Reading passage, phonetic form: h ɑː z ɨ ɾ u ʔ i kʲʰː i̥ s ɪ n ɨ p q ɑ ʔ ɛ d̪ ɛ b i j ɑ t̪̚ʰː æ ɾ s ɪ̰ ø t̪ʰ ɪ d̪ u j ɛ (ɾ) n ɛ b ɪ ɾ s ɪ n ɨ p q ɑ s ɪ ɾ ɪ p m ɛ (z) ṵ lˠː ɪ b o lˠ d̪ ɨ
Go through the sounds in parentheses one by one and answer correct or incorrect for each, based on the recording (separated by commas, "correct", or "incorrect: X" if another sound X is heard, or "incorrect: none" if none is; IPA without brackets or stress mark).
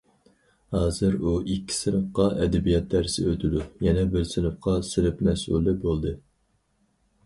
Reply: incorrect: none, incorrect: s